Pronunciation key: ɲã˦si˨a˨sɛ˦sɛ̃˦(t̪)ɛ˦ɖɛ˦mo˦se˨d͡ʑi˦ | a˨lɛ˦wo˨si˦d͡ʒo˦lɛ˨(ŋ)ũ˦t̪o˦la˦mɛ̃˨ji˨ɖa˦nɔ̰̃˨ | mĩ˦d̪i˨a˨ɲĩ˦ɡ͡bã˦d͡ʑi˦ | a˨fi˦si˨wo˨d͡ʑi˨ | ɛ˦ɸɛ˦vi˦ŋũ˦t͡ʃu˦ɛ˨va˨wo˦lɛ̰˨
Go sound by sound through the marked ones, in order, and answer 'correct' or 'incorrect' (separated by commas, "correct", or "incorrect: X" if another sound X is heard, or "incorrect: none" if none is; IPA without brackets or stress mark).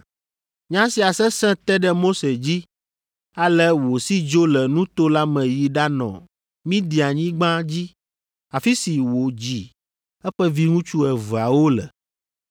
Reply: correct, incorrect: n